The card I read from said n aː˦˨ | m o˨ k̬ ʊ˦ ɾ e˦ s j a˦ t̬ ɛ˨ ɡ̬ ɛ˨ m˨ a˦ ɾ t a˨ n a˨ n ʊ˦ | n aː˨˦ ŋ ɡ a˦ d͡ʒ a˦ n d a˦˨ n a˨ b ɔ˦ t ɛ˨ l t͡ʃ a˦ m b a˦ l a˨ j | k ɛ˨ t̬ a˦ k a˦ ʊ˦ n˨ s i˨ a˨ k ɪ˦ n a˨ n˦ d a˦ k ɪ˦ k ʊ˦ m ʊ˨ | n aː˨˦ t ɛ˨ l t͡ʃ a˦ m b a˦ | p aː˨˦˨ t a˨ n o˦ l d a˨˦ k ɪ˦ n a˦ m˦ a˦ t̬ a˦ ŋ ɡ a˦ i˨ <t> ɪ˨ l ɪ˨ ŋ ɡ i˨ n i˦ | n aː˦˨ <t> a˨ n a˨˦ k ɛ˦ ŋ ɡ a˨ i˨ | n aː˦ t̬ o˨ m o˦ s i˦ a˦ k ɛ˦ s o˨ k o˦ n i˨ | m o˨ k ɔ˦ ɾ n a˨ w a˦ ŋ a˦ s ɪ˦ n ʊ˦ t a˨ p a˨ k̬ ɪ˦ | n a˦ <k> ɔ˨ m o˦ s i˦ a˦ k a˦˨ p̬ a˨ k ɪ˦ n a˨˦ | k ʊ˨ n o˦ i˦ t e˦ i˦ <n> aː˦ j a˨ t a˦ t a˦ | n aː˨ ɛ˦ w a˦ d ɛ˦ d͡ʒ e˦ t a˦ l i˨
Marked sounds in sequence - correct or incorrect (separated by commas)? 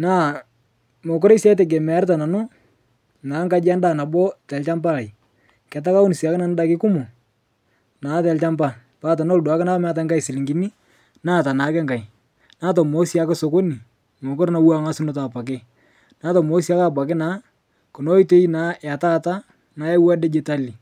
incorrect, correct, incorrect, correct